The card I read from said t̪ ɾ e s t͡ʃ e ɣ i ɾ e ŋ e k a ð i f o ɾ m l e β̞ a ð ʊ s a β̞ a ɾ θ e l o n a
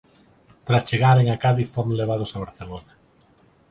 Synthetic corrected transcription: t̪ ɾ a s t͡ʃ e ɣ a ɾ e ŋ a k a ð i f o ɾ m l e β̞ a ð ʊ s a β̞ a ɾ θ e l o n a